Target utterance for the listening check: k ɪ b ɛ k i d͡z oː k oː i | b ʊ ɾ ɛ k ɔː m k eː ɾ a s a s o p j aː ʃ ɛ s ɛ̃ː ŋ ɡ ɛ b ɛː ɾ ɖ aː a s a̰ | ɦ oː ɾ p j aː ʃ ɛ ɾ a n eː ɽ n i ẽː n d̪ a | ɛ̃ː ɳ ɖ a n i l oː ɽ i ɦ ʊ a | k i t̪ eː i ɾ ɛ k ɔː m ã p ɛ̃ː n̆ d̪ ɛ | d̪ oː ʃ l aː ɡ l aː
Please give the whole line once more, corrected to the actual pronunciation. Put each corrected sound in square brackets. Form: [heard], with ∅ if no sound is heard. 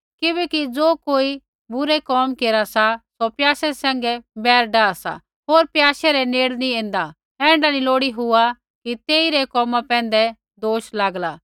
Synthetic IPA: k ɪ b ɛ k i d͡z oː k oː i | b ʊ ɾ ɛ k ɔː m k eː ɾ a s a s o p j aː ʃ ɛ s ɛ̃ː ŋ ɡ ɛ b ɛː ɾ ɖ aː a s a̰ | ɦ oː ɾ p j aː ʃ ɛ ɾ [ɛ] n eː ɽ n i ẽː n d̪ a | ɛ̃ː ɳ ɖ a n i l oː ɽ i ɦ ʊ a | k i t̪ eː i ɾ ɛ k ɔː m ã p ɛ̃ː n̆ d̪ ɛ | d̪ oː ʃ l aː ɡ l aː